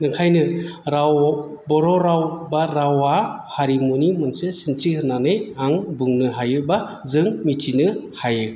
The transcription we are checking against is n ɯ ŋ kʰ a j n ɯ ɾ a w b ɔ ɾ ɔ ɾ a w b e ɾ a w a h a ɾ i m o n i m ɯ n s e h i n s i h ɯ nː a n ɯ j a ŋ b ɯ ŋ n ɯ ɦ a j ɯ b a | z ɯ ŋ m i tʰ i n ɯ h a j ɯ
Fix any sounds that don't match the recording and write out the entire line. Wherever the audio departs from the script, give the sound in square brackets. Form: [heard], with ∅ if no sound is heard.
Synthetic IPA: n ɯ ŋ kʰ a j n ɯ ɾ a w b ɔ ɾ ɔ ɾ a w b [a] ɾ a w a h a ɾ i m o n i m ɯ n s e [s] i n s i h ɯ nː a n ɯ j a ŋ b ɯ ŋ n ɯ ɦ a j ɯ b a | z ɯ ŋ m i tʰ i n ɯ h a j ɯ

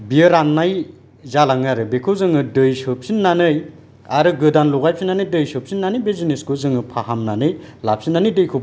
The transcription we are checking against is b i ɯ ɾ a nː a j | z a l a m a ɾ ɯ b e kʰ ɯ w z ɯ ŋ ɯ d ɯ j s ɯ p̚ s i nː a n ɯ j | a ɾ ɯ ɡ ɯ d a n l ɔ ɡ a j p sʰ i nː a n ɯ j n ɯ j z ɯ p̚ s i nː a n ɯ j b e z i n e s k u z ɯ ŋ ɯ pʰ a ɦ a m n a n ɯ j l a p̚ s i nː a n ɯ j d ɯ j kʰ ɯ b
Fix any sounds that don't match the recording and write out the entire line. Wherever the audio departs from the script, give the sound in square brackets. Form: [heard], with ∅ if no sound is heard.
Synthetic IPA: b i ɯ ɾ a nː a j | z a l a [ŋ] a ɾ ɯ b e kʰ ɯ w z ɯ ŋ ɯ d ɯ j s ɯ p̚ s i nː a n ɯ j | a ɾ ɯ ɡ ɯ d a n l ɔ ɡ a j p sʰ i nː a n ɯ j [d] ɯ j [s] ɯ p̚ s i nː a n ɯ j b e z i n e s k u z ɯ ŋ ɯ pʰ a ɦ a m n a n ɯ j l a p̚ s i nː a n ɯ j d ɯ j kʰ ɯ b

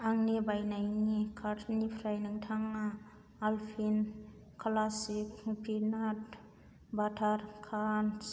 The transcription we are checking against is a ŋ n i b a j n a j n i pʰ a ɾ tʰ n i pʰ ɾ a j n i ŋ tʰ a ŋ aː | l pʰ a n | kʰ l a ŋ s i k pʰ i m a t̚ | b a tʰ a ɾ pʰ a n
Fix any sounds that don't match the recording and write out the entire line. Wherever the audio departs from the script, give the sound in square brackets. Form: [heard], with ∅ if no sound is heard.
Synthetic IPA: a ŋ n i b a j n a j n i [kʰ] a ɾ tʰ n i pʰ ɾ a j n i ŋ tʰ a ŋ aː | l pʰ [i] n | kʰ l a [∅] s i k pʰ i [n] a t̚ | b a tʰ a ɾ [kʰ] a n

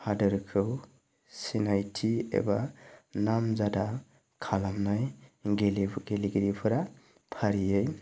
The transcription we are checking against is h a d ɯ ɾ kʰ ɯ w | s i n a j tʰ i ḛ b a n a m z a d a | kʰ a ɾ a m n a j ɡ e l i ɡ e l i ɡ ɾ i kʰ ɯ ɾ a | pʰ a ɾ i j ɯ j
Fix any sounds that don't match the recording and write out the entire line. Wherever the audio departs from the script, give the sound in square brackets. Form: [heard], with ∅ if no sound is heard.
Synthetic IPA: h a d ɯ ɾ kʰ ɯ w | s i n a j tʰ i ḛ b a n a m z a d a | kʰ a [l] a m n a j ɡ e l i ɡ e l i ɡ ɾ i [pʰ] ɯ ɾ a | pʰ a ɾ i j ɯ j

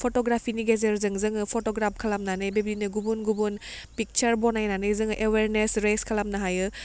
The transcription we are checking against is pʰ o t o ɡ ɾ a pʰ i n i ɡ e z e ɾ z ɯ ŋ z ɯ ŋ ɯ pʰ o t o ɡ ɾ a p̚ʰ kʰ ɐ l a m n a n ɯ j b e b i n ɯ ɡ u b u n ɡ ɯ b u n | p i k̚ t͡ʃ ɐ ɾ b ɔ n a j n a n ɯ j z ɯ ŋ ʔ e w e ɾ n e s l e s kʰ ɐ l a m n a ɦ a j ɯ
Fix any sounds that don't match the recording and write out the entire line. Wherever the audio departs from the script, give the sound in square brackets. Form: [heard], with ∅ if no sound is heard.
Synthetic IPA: pʰ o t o ɡ ɾ a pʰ i n i ɡ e z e ɾ z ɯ ŋ z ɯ ŋ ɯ pʰ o t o ɡ ɾ a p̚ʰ kʰ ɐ l a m n a n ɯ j b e b i n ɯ ɡ u b u n ɡ [u] b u n | p i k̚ t͡ʃ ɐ ɾ b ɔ n a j n a n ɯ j z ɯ ŋ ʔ e w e ɾ n e s [ɾ] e s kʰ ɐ l a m n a ɦ a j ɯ

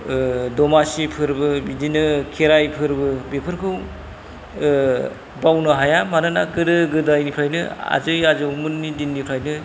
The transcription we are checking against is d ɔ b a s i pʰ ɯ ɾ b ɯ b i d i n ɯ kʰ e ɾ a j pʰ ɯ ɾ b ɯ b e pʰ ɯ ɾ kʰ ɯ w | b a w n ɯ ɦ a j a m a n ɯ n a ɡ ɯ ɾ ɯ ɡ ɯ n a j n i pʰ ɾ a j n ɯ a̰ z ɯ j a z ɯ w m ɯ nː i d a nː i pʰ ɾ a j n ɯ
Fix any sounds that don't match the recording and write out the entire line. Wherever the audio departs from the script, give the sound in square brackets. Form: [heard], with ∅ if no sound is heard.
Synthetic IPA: d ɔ [m] a s i pʰ ɯ ɾ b ɯ b i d i n ɯ kʰ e ɾ a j pʰ ɯ ɾ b ɯ b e pʰ ɯ ɾ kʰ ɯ w | b a w n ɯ ɦ a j a m a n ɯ n a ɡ ɯ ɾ ɯ ɡ ɯ [d] a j n i pʰ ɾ a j n ɯ a̰ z ɯ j a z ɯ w m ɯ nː i d [i] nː i pʰ ɾ a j n ɯ

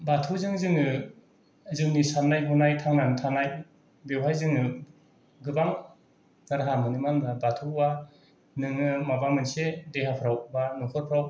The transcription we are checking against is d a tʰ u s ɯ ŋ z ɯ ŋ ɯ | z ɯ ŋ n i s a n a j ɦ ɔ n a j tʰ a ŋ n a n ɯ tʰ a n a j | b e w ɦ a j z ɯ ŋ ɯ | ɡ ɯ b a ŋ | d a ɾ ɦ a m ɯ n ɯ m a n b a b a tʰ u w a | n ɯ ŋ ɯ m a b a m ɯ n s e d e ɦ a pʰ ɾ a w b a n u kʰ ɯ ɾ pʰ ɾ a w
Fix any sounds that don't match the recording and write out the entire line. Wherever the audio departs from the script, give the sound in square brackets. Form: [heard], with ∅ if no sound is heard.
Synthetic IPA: [b] a tʰ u [z] ɯ ŋ z ɯ ŋ ɯ | z ɯ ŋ n i s a n a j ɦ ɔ n a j tʰ a ŋ n a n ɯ tʰ a n a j | b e w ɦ a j z ɯ ŋ ɯ | ɡ ɯ b a ŋ | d a ɾ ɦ a m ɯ n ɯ m a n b a b a tʰ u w a | n ɯ ŋ ɯ m a b a m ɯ n s e d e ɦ a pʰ ɾ a w b a n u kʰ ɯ ɾ pʰ ɾ a w

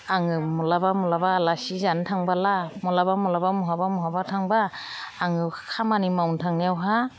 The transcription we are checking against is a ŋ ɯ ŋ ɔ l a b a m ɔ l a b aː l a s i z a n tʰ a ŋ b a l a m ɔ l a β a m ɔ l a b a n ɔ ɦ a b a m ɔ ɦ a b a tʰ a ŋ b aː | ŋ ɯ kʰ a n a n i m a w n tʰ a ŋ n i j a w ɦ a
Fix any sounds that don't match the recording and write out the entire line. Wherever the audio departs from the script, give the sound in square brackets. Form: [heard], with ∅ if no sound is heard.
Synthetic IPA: a ŋ ɯ [m] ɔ l a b a m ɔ l a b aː l a s i z a n tʰ a ŋ b a l a m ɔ l a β a m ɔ l a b a [m] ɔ ɦ a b a m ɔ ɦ a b a tʰ a ŋ b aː | ŋ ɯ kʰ a [m] a n i m a w n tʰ a ŋ n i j a w ɦ a

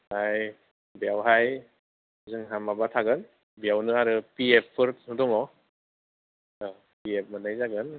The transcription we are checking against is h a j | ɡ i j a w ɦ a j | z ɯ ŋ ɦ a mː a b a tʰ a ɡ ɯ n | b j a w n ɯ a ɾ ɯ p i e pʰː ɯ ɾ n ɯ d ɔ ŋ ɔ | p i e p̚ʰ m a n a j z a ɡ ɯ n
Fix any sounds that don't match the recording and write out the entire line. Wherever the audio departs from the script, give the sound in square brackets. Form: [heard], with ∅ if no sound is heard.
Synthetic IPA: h a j | [b] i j a w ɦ a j | z ɯ ŋ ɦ a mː a b a tʰ a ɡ ɯ n | b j a w n ɯ a ɾ ɯ p i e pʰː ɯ ɾ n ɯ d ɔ ŋ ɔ | p i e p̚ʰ m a n a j z a ɡ ɯ n

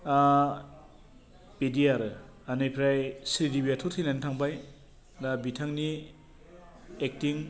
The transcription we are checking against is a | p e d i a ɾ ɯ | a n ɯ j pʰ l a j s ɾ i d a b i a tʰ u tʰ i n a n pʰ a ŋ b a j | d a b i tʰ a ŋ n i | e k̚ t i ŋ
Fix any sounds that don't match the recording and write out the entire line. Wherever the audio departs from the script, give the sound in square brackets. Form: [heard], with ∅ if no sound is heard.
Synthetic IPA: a | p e d i a ɾ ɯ | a n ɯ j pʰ [ɾ] a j s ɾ i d [i] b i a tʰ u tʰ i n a n [tʰ] a ŋ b a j | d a b i tʰ a ŋ n i | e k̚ t i ŋ

